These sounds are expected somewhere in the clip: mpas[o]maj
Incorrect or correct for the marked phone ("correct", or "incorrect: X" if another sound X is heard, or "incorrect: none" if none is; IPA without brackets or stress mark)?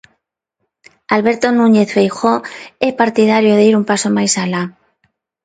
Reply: correct